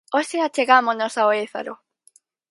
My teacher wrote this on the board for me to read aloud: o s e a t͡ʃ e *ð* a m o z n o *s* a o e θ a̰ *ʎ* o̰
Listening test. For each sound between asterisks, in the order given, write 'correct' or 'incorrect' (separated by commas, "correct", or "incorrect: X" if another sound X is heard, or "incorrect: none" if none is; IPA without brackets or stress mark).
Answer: incorrect: ɣ, correct, incorrect: ɾ